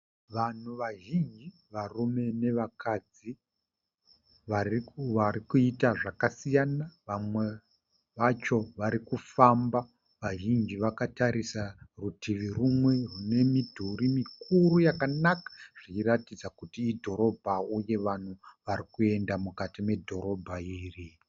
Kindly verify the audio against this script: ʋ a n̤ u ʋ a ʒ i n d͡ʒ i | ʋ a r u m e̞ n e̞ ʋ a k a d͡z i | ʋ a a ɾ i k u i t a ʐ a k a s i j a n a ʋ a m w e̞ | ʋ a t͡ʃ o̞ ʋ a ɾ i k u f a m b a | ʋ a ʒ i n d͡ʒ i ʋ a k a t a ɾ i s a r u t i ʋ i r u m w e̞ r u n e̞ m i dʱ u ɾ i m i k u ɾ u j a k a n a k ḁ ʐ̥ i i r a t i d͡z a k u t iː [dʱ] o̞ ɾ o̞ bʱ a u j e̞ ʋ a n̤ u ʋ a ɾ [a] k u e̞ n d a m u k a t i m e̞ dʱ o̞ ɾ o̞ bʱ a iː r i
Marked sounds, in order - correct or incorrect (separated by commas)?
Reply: correct, incorrect